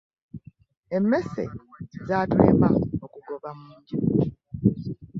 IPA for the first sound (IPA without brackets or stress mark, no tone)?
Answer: e